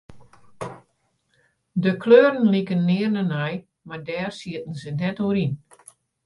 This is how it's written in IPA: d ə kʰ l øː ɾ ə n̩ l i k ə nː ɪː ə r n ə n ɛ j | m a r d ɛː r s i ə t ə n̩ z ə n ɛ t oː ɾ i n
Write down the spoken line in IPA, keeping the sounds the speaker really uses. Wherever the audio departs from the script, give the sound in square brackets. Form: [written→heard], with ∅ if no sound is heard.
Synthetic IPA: d ə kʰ l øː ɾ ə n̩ l i k ə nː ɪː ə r n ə n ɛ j | m a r d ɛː r s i ə t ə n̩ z ə n ɛ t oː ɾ i n